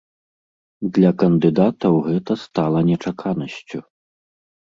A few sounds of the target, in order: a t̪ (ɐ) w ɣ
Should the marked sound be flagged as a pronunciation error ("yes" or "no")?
no